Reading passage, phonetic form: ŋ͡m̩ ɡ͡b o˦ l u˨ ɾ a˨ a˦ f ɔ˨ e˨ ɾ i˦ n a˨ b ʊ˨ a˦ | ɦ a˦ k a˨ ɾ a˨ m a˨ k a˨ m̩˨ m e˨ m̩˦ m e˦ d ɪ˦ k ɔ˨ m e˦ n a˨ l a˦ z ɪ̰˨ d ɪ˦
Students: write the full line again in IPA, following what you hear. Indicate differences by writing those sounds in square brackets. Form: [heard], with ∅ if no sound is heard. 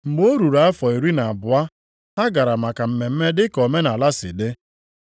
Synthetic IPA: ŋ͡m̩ ɡ͡b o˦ [ɾ] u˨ ɾ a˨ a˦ f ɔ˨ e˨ ɾ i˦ n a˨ b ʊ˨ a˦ | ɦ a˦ [ɡ] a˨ ɾ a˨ m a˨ k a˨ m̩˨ m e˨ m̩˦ m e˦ d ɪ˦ k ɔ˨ m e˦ n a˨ l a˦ [s] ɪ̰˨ d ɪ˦